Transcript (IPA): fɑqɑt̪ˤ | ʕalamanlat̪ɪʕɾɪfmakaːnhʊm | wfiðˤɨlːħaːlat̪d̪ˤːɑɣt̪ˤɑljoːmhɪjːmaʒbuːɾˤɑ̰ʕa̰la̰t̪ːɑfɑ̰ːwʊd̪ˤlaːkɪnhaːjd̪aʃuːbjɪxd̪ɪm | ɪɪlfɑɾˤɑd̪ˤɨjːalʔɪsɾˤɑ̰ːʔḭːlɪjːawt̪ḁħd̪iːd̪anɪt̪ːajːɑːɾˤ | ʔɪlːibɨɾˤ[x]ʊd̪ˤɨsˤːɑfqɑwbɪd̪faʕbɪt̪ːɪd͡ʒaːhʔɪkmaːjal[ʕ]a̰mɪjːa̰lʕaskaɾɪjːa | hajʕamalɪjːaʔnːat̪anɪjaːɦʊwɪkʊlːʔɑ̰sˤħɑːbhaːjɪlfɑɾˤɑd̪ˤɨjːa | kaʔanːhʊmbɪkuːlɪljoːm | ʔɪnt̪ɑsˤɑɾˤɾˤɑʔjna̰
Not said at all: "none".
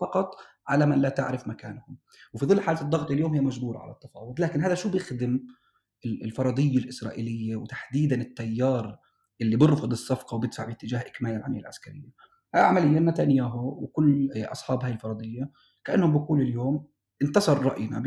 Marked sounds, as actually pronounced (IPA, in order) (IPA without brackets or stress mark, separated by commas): f, ʕ